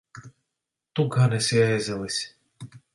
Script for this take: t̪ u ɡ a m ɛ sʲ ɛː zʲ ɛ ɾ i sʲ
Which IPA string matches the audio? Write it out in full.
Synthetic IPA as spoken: t̪ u ɡ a n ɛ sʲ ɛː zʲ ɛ l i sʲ

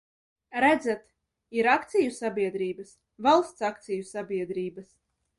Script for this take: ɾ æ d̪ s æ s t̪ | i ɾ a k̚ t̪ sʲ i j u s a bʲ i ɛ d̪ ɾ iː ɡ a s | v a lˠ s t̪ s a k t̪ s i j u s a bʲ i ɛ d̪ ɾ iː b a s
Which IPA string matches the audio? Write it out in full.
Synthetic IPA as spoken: ɾ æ d̪ z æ t̪ | i ɾ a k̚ t̪ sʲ i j u s a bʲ i ɛ d̪ ɾ iː b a s | v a lˠ s t̪ s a k t̪ s i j u s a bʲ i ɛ d̪ ɾ iː b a s

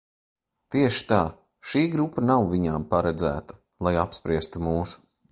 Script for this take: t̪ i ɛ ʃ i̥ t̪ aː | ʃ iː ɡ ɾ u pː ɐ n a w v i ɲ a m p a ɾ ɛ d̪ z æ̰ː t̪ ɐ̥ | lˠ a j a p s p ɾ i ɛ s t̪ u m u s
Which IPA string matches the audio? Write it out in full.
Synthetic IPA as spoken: t̪ i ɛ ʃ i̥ t̪ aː | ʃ iː ɡ ɾ u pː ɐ n a w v i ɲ a m p a ɾ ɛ d̪ z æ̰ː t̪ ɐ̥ | lˠ a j a p s p ɾ i ɛ s t̪ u m uː s

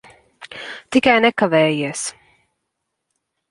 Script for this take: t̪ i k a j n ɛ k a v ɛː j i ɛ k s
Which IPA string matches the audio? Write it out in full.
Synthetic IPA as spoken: t̪ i k a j n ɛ k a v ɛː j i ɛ s

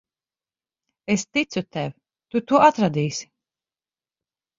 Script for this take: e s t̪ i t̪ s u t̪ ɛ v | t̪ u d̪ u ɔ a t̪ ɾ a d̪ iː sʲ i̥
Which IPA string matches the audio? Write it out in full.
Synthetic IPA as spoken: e s t̪ i t̪ s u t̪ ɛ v | t̪ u t̪ u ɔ a t̪ ɾ a d̪ iː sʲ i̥

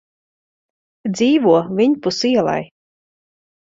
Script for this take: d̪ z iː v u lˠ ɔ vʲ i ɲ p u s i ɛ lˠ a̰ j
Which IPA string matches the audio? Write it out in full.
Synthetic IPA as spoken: d̪ z iː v u ɔ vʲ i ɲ p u s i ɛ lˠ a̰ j

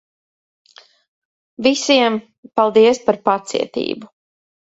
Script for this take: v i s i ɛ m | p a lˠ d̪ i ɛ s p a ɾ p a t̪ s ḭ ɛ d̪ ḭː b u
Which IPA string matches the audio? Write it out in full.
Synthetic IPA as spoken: v i s i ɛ m | p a lˠ d̪ i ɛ s p a ɾ p a t̪ s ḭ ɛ t̪ ḭː b u

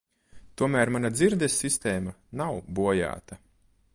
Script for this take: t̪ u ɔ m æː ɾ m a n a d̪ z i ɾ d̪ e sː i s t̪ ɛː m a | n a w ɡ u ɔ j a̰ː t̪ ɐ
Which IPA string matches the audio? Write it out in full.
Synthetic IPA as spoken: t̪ u ɔ m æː ɾ m a n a d̪ z i ɾ d̪ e sː i s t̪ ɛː m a | n a w b u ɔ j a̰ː t̪ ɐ

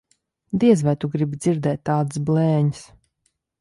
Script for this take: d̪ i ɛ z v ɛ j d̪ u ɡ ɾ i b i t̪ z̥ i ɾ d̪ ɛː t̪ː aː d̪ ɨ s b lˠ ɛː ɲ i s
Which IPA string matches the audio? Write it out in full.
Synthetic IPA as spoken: d̪ i ɛ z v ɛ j t̪ u ɡ ɾ i b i d̪ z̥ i ɾ d̪ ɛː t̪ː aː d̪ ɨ s b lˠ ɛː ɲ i s

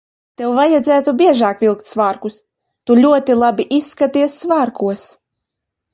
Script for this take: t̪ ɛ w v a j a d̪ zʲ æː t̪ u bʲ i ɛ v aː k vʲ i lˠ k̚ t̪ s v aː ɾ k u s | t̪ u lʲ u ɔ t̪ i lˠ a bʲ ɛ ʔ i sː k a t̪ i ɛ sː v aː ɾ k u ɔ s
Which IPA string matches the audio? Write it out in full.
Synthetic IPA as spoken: t̪ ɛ w v a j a d̪ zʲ æː t̪ u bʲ i ɛ ʒ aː k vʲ i lˠ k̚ t̪ s v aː ɾ k u s | t̪ u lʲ u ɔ t̪ i lˠ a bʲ i ʔ i sː k a t̪ i ɛ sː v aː ɾ k u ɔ s

